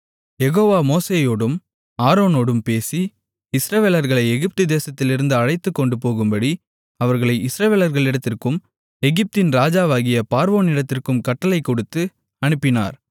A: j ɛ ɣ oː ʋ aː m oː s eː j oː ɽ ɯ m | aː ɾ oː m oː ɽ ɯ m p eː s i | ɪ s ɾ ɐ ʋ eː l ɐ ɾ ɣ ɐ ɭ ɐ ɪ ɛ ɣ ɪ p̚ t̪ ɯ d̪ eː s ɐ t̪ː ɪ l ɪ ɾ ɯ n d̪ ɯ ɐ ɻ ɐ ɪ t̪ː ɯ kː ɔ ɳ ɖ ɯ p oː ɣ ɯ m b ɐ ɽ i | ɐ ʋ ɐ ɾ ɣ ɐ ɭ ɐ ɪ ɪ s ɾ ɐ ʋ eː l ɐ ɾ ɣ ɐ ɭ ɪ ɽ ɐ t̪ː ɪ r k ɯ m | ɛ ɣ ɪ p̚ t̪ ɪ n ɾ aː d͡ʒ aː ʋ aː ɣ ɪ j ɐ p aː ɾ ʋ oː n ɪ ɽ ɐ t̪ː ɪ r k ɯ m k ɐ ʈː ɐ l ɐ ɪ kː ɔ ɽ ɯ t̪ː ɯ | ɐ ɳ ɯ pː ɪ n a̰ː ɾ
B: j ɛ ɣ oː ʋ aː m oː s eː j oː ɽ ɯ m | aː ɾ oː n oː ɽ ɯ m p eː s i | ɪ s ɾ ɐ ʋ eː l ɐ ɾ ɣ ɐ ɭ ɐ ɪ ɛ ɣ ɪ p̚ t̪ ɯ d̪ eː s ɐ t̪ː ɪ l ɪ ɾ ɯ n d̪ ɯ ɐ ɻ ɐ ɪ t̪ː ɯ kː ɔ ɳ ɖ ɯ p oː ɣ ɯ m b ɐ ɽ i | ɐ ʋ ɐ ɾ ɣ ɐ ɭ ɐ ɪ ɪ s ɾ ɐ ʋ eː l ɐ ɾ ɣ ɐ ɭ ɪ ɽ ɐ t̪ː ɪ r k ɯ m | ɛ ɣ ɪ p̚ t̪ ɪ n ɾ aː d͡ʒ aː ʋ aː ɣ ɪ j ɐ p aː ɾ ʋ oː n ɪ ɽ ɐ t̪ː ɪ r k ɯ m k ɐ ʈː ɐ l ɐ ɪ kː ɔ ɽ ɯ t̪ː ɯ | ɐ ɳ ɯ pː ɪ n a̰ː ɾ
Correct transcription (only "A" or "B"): B